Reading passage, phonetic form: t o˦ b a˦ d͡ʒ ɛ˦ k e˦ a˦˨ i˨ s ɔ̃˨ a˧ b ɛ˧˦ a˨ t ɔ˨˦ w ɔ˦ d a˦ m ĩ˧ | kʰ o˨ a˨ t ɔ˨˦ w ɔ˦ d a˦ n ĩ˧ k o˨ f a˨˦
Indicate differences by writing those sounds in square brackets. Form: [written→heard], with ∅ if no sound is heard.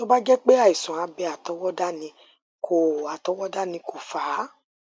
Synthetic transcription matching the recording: t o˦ b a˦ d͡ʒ ɛ˦ [k→k͡p] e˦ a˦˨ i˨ s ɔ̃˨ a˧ b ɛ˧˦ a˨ t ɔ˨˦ w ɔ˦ d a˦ [m→n] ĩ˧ | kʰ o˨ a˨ t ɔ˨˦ w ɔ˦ d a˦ n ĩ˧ k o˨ f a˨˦

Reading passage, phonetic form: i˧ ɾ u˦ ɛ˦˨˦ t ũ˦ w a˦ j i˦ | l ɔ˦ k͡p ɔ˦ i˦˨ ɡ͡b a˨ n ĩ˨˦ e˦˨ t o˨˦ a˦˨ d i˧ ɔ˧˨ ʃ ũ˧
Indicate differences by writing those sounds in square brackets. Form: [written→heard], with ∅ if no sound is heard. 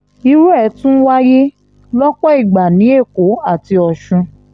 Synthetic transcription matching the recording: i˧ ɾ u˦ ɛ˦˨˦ t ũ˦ w a˦ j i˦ | l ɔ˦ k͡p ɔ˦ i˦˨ ɡ͡b a˨ n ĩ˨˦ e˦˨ [t→k] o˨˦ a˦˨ [d→t] i˧ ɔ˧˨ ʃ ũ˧

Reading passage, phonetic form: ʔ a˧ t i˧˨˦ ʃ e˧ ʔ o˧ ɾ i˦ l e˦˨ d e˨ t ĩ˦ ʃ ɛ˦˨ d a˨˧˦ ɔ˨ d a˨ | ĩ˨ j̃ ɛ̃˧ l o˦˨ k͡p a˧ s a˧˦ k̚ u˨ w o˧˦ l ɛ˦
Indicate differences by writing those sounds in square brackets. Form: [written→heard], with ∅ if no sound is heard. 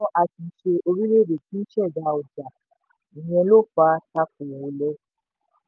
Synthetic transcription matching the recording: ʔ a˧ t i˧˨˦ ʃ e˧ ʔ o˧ ɾ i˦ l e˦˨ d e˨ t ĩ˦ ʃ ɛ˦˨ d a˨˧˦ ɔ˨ [d→d͡ʒ] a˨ | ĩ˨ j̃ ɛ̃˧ l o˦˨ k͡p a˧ [s→t] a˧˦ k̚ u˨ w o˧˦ l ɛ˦

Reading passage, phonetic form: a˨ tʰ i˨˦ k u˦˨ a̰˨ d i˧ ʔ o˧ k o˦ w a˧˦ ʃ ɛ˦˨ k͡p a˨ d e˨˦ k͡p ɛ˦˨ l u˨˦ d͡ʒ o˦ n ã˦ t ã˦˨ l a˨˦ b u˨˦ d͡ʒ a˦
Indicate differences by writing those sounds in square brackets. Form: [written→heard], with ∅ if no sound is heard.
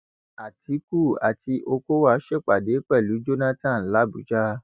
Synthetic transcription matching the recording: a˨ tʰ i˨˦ k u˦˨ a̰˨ [d→t] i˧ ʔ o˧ k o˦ w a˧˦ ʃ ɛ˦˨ k͡p a˨ d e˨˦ k͡p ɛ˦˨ l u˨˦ d͡ʒ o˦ n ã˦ t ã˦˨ l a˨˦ b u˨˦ d͡ʒ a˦

